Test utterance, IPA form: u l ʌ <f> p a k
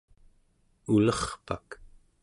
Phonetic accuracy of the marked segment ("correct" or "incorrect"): incorrect